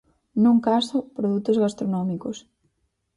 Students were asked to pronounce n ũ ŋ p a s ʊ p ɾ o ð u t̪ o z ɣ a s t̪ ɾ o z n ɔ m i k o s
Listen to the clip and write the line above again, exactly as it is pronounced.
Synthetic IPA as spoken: n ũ ŋ k a s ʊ p ɾ o ð u t̪ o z ɣ a s t̪ ɾ o n ɔ m i k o s